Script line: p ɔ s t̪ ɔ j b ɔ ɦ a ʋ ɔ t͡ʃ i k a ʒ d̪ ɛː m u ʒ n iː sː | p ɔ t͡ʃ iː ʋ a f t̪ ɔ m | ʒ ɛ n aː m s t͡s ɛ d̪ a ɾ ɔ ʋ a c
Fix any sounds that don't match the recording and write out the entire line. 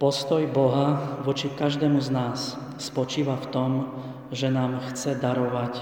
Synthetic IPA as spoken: p ɔ s t̪ ɔ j b ɔ ɦ a ʋ ɔ t͡ʃ i k a ʒ d̪ ɛː m u z n aː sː | p ɔ t͡ʃ iː ʋ a f t̪ ɔ m | ʒ ɛ n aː m x t͡s ɛ d̪ a ɾ ɔ ʋ a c